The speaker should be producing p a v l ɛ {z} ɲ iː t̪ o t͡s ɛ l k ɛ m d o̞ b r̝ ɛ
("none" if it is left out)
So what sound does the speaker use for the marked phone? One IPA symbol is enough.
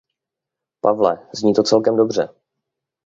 z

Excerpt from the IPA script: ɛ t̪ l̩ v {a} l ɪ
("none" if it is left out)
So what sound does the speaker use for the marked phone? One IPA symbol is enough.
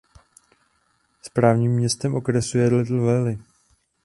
ɛ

